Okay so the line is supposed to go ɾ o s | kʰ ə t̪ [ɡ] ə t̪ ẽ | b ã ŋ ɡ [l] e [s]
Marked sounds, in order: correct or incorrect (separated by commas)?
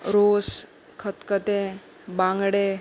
incorrect, incorrect, incorrect